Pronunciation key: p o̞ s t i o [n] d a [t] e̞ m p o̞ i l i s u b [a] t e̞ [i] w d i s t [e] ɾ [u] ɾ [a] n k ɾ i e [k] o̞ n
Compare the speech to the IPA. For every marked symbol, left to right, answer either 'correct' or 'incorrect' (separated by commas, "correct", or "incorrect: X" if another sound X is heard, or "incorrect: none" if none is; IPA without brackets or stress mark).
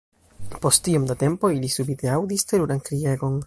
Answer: incorrect: m, correct, incorrect: i, incorrect: a, correct, correct, correct, incorrect: ɡ